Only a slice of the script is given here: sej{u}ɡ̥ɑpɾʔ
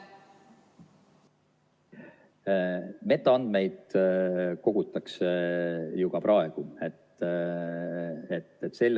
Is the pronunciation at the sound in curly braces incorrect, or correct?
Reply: correct